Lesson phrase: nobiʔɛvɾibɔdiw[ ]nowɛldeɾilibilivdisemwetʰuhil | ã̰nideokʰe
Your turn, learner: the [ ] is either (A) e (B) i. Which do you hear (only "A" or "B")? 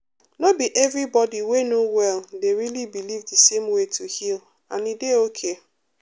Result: A